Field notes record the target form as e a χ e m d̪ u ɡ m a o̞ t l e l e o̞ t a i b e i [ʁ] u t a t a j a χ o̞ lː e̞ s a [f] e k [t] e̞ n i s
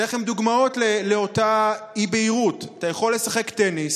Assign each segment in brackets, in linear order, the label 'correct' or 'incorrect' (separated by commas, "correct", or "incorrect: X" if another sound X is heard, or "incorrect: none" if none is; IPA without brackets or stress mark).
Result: correct, incorrect: χ, correct